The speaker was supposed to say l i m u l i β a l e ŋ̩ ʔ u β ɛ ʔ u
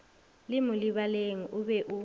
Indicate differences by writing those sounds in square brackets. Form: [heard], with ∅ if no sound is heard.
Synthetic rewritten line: l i m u l i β a l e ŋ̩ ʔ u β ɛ ʔ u